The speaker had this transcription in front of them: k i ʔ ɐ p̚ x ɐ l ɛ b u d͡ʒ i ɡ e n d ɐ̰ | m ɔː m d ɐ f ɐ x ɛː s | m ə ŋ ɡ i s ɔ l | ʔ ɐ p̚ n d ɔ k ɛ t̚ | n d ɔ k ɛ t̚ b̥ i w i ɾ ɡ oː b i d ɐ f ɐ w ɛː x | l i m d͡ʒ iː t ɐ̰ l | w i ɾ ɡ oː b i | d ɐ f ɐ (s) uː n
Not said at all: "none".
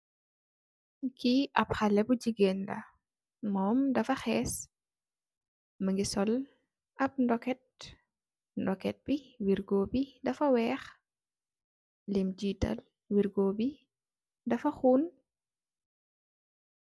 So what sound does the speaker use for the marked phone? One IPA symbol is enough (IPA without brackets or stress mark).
x